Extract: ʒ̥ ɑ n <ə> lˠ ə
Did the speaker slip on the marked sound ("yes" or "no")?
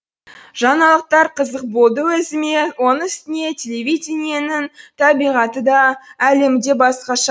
yes